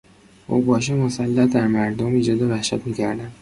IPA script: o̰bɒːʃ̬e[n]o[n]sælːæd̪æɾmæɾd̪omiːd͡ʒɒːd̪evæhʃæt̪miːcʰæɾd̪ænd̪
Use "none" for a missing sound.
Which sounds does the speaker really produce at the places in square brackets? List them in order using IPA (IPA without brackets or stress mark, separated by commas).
m, none